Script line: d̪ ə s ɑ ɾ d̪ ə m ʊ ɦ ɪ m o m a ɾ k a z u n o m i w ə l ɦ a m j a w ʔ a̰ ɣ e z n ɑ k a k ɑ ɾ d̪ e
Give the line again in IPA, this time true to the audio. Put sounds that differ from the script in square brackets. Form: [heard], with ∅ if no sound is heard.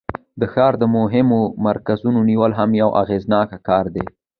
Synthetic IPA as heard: d̪ ə [x] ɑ ɾ d̪ ə m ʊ ɦ ɪ m o m a ɾ k a z u n o [n] i w ə l ɦ a m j a w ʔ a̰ ɣ e z n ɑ k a k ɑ ɾ d̪ e